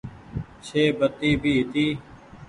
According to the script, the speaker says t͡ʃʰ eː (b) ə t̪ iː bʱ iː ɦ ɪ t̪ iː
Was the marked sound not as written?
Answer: no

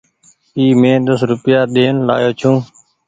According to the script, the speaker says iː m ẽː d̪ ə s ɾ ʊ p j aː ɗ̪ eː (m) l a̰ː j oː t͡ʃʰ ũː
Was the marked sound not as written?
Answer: yes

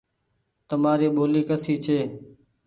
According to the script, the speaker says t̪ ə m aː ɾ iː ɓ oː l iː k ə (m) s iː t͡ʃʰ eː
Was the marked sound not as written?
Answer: yes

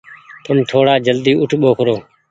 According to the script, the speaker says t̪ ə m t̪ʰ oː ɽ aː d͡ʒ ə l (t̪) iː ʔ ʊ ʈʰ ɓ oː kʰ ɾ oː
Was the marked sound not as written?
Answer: yes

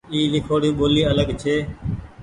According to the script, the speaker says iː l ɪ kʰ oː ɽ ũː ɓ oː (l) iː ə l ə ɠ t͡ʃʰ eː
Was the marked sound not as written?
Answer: no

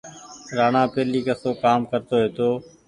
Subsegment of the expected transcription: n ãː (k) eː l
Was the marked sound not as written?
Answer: yes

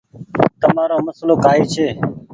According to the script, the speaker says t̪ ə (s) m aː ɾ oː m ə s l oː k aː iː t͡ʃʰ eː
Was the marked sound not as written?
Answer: yes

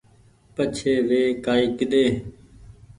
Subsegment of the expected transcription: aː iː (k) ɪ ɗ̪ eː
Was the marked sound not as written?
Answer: no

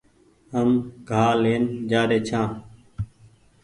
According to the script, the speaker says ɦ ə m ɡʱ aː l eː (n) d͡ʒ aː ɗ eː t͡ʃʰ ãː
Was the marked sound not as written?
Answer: no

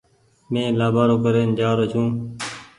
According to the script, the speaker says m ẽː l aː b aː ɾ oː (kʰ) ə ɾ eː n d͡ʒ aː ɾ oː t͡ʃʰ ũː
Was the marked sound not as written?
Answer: yes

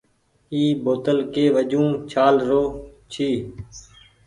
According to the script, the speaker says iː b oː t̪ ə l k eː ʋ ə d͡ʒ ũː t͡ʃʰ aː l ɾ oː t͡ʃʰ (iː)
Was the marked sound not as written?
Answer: no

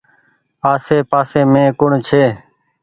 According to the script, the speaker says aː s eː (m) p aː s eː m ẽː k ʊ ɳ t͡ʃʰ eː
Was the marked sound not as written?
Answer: yes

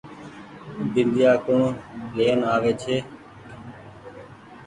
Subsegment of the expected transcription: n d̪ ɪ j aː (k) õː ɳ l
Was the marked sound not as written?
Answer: no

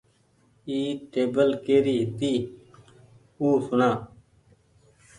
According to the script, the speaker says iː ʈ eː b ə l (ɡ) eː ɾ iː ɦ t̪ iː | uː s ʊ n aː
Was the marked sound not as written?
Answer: yes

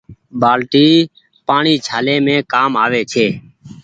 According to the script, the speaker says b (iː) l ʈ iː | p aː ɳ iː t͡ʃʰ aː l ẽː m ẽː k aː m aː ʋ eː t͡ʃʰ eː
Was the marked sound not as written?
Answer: yes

